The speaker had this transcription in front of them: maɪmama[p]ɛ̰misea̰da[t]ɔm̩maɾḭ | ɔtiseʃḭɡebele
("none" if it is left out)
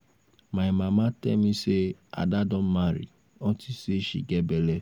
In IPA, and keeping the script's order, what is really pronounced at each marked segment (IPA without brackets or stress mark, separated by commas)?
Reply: t, d